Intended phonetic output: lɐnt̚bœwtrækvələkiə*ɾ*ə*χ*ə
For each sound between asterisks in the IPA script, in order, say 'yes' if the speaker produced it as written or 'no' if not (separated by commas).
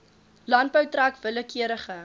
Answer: yes, yes